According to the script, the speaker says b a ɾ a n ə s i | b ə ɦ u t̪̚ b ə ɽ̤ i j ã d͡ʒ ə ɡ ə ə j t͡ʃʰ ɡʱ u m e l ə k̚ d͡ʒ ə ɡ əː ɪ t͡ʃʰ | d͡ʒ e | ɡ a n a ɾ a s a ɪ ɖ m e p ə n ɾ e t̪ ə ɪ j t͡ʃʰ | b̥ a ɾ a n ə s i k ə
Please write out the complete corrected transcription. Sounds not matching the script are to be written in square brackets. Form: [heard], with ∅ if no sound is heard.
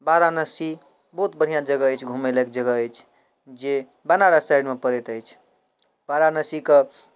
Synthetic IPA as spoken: b a ɾ a n ə s i | b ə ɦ u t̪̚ b ə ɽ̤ i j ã d͡ʒ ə ɡ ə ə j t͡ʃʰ ɡʱ u m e l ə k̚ d͡ʒ ə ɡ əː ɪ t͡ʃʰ | d͡ʒ e | [b] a n a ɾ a s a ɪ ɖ m e p ə [∅] ɾ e t̪ ə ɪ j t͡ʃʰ | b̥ a ɾ a n ə s i k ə

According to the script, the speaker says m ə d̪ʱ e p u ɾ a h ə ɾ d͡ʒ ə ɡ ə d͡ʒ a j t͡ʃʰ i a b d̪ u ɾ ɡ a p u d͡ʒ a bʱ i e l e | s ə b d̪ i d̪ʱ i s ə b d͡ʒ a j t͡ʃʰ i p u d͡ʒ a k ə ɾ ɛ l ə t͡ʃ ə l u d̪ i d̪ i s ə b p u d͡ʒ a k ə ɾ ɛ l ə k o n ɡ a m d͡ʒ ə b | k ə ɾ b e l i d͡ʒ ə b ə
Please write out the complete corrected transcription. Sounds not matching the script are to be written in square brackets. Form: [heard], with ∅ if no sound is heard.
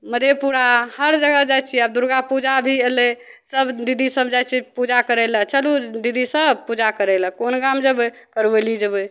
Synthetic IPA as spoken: m ə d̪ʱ e p u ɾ a h ə ɾ d͡ʒ ə ɡ ə d͡ʒ a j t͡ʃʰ i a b d̪ u ɾ ɡ a p u d͡ʒ a bʱ i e l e | s ə b d̪ i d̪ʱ i s ə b d͡ʒ a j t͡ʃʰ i p u d͡ʒ a k ə ɾ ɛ l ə t͡ʃ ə l u d̪ i d̪ i s ə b p u d͡ʒ a k ə ɾ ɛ l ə k o n ɡ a m d͡ʒ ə b | k ə ɾ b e l i d͡ʒ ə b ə

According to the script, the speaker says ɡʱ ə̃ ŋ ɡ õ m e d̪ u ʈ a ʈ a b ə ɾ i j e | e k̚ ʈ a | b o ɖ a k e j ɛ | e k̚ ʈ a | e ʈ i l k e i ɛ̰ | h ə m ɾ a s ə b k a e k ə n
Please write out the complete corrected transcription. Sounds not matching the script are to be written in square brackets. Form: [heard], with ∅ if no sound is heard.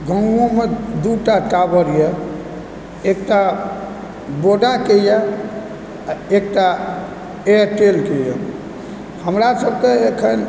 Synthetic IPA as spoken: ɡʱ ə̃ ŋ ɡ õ m e d̪ u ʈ a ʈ a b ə ɾ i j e | e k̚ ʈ a | b o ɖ a k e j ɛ | e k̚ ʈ a | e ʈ [e] l k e [j] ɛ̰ | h ə m ɾ a s ə b k [e] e [kʰ] ə n

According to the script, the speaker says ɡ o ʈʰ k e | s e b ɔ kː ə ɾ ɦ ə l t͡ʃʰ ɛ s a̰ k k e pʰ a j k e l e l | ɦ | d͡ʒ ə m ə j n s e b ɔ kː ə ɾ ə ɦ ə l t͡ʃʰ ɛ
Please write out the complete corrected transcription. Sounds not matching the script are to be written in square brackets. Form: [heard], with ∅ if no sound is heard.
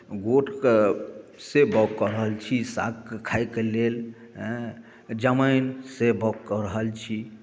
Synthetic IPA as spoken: ɡ o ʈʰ k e | s e b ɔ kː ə ɾ ɦ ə l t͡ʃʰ [i] s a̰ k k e [kʰ] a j k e l e l | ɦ | d͡ʒ ə m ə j n s e b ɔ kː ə ɾ ə ɦ ə l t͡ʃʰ [i]

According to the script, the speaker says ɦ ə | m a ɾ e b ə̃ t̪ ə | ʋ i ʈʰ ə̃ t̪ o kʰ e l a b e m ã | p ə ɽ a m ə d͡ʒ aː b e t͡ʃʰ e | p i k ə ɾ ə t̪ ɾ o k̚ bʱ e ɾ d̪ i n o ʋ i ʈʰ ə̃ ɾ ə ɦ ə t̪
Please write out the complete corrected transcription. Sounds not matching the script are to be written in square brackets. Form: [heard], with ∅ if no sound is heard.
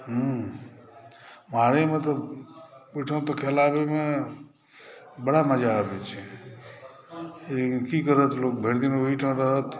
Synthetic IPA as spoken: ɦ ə | m a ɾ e [m] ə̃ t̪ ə | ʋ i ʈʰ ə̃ t̪ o kʰ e l a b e m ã | [b] ə ɽ a m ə d͡ʒ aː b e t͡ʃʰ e | [k] i k ə ɾ ə t̪ [l] o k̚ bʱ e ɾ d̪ i n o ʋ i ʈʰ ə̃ ɾ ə ɦ ə t̪

